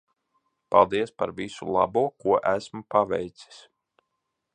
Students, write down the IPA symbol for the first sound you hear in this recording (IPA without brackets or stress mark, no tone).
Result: p